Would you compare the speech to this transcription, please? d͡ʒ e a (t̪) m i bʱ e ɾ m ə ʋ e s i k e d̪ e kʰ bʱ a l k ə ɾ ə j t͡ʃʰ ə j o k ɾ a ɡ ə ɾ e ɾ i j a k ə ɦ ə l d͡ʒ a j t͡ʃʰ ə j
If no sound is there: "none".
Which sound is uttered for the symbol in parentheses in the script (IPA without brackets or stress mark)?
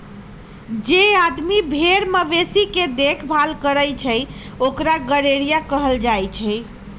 d̪